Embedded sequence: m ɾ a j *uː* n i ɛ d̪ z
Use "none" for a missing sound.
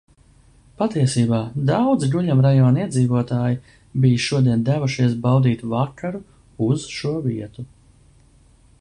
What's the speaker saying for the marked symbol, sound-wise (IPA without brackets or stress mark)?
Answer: ɔː